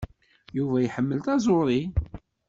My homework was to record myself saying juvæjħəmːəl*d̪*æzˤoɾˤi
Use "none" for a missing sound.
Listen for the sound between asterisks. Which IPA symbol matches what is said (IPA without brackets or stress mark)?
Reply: t̪